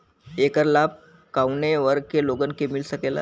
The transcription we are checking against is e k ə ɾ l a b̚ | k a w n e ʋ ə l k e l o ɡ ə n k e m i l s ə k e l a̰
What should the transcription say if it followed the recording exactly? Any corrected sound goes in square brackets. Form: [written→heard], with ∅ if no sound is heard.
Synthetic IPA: e k ə ɾ l a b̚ | k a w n e ʋ ə [l→ɾ] k e l o ɡ ə n k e m i l s ə k e l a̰